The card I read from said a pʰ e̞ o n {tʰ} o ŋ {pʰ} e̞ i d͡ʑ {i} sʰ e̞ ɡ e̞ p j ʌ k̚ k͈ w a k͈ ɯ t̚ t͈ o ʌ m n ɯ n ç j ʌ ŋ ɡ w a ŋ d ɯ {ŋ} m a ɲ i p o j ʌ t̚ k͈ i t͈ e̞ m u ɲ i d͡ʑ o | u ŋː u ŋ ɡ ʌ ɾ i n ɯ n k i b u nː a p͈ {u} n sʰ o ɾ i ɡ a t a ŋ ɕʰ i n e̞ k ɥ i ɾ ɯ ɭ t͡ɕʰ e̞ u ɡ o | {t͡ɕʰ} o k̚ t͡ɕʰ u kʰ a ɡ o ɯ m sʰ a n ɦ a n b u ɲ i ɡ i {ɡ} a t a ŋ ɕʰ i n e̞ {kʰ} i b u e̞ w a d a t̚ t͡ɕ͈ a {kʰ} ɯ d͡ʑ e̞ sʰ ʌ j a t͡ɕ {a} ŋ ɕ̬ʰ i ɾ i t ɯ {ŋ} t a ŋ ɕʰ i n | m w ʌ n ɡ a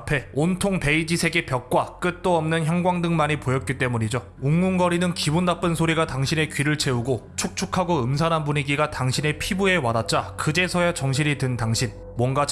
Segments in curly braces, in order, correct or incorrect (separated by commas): correct, incorrect, correct, correct, incorrect, correct, correct, incorrect, incorrect, incorrect, incorrect